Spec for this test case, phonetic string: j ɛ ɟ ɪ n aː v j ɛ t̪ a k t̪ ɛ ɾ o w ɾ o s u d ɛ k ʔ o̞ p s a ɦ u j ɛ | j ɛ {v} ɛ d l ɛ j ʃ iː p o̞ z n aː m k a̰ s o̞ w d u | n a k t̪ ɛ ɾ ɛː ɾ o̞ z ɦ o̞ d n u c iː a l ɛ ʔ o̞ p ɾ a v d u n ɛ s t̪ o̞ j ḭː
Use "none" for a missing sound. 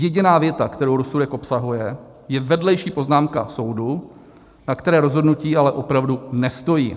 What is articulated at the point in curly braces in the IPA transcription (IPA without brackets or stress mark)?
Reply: v